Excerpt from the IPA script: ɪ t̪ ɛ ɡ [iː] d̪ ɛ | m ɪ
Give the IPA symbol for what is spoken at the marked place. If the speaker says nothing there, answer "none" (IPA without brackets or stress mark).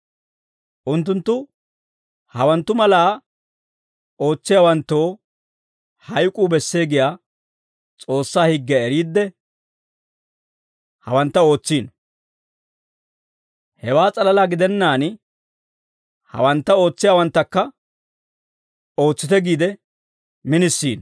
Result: iː